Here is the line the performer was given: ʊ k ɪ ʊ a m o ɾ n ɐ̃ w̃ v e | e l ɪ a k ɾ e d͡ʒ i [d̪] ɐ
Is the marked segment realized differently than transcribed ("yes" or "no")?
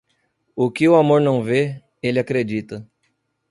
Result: yes